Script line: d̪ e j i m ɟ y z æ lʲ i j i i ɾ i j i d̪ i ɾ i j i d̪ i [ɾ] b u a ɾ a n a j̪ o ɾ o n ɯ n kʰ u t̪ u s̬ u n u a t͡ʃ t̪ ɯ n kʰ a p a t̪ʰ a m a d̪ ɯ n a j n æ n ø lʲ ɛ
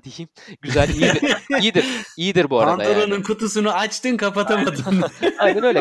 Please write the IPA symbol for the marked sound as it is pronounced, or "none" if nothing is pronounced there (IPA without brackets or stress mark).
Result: ɾ